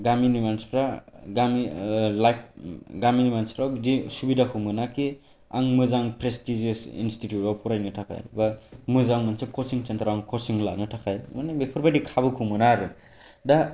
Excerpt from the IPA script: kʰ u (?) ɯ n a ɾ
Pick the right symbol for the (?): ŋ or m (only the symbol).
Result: m